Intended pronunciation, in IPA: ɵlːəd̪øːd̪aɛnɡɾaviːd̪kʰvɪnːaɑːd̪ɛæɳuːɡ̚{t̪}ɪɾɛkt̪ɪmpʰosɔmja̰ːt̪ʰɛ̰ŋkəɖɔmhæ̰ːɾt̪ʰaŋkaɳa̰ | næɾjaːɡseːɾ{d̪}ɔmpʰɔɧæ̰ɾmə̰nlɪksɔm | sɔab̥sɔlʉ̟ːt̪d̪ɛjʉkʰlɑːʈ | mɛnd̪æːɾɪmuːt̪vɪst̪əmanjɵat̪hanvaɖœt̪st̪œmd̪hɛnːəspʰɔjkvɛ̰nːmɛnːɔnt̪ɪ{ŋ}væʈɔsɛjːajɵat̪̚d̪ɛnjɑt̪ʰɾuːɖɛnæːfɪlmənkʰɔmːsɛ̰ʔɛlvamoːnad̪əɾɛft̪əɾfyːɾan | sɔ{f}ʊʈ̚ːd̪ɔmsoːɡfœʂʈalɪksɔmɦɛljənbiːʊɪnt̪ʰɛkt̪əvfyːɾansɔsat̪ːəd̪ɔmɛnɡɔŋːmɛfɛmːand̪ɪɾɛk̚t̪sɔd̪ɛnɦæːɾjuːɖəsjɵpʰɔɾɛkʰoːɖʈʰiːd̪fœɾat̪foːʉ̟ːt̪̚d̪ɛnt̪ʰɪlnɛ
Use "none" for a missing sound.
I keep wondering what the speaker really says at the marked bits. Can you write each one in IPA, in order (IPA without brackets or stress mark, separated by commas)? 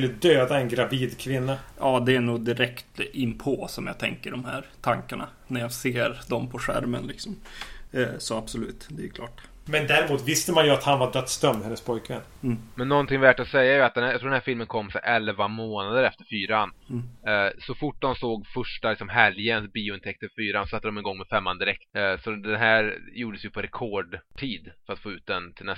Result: d̪, d̪, ŋ, f